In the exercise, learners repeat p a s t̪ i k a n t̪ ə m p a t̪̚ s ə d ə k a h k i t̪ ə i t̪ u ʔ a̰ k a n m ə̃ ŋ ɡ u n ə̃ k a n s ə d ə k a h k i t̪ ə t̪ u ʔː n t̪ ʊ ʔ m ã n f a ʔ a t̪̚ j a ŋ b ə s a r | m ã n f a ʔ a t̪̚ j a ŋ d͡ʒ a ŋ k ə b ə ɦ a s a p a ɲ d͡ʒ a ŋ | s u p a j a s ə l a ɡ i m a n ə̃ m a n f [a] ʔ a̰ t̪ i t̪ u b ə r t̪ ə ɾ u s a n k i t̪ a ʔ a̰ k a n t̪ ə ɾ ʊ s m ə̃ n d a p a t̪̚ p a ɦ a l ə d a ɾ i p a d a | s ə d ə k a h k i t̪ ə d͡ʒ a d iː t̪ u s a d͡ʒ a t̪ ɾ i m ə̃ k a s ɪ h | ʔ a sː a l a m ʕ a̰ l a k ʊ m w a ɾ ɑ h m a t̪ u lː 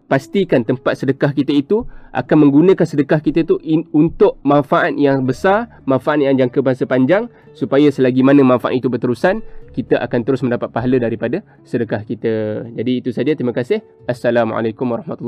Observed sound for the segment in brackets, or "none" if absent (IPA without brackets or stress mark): a